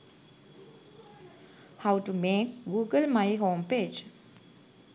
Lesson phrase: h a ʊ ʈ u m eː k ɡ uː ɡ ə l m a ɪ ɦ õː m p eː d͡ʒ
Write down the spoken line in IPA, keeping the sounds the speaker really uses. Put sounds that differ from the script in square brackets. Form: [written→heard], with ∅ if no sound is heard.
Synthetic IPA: h a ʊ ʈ u m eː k ɡ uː ɡ ə l m a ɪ ɦ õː m p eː d͡ʒ

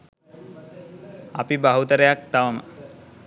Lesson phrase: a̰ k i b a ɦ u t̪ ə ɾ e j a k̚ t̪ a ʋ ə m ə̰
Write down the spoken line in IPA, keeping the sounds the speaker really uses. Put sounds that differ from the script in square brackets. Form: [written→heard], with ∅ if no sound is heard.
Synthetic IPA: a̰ [k→p] i b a ɦ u t̪ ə ɾ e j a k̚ t̪ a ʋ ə m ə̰

